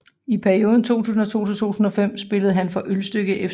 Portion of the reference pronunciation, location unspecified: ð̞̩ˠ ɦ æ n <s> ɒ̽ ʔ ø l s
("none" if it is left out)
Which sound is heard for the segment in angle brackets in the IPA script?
f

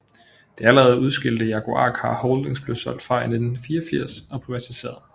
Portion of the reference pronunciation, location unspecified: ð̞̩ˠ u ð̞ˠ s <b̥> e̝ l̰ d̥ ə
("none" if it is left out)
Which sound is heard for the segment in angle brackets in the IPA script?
ɡ̥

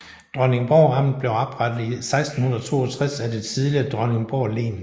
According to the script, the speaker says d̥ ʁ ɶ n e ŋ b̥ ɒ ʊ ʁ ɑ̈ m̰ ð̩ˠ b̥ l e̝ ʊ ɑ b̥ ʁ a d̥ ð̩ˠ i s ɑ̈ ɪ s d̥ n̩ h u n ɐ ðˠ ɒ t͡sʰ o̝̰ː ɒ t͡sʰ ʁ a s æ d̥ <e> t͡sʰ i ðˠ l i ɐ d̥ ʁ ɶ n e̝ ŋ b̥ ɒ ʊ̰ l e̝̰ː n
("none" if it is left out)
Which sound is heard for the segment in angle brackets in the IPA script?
e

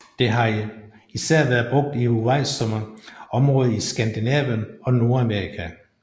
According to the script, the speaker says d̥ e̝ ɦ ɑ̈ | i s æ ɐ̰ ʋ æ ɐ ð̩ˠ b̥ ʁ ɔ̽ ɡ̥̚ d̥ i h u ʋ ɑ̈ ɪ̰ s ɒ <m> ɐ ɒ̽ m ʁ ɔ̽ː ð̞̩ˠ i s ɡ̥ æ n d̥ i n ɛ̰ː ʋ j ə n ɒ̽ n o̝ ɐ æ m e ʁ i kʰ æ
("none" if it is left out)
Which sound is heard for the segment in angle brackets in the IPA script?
m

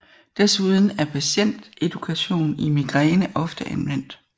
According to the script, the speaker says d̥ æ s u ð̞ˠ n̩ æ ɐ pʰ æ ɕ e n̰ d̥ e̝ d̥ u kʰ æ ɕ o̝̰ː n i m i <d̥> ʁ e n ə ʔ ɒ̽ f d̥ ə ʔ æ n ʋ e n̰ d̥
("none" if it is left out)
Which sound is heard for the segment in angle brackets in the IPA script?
ɡ̥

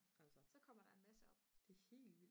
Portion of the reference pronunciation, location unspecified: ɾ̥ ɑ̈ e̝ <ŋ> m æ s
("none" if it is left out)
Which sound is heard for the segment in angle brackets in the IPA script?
n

